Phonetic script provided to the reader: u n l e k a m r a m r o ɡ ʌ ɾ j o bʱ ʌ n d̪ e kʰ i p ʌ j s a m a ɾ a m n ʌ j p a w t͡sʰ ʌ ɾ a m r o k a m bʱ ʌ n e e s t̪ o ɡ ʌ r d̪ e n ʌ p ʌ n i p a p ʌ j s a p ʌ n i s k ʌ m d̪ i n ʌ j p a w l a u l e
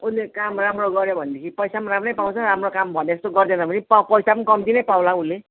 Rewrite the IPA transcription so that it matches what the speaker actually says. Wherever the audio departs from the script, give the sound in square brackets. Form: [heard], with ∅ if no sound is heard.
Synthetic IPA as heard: u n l e k a m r a m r o ɡ ʌ ɾ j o bʱ ʌ n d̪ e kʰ i p ʌ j s a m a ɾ a m n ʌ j p a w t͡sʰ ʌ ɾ a m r o k a m bʱ ʌ n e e s t̪ o ɡ ʌ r d̪ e n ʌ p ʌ n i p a p ʌ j s a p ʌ n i [∅] k ʌ m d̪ i n ʌ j p a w l a u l e